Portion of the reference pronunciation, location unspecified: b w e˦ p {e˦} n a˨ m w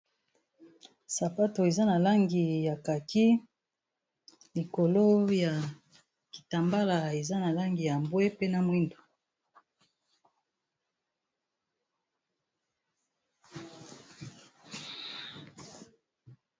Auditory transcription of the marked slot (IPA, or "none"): e˦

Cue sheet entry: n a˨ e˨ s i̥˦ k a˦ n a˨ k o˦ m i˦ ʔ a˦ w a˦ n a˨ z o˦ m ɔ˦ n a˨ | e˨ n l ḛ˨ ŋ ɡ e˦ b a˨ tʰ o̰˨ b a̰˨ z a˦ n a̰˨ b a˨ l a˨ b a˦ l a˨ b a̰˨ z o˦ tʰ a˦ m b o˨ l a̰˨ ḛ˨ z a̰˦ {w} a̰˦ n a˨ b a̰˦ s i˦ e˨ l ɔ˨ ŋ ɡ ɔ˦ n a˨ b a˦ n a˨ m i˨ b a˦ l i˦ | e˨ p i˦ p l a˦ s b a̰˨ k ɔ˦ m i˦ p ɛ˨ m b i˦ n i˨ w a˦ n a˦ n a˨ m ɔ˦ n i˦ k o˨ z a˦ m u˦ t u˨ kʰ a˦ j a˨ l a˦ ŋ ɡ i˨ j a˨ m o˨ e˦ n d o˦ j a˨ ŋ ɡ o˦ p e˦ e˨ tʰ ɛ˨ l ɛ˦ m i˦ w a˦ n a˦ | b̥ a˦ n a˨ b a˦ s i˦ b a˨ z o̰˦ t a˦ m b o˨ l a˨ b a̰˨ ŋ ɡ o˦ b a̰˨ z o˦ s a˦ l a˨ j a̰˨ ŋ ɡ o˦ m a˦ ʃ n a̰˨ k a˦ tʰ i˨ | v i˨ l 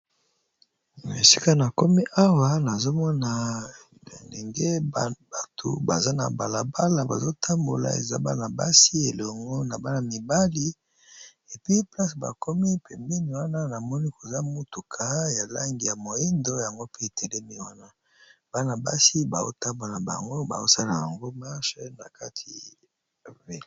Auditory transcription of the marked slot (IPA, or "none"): b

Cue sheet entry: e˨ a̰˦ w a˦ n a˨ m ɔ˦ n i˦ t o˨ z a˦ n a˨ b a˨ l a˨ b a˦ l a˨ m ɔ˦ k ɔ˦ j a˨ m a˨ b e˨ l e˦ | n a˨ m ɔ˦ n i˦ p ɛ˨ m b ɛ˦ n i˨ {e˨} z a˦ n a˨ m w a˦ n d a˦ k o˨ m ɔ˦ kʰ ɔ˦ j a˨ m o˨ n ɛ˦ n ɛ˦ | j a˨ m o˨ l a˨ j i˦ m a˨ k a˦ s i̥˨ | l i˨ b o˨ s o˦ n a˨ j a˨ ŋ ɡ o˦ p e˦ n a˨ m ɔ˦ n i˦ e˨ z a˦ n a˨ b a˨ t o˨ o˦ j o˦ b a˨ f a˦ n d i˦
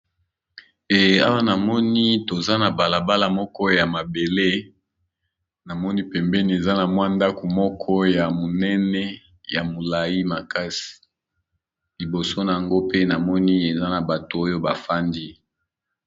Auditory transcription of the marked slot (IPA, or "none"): e˨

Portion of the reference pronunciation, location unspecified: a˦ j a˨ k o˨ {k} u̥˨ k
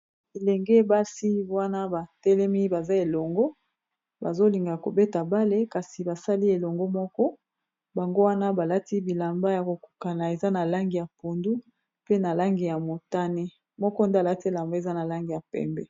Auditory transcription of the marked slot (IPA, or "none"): k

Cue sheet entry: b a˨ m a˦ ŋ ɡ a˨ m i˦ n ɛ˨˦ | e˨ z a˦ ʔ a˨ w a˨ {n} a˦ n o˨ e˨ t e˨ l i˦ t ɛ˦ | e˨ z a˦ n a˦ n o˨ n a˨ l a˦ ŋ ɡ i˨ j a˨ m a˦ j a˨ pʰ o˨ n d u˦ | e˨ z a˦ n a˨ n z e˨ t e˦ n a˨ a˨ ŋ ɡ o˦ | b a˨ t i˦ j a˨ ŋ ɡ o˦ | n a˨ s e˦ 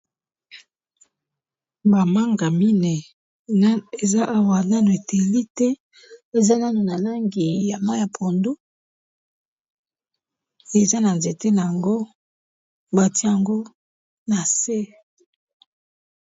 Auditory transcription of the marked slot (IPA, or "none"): n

